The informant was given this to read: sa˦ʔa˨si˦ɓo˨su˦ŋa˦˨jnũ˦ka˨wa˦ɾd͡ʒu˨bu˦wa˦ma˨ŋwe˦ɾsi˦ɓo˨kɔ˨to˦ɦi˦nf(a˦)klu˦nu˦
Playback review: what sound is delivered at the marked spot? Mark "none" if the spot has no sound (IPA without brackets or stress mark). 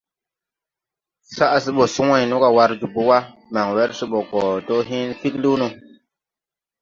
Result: i˦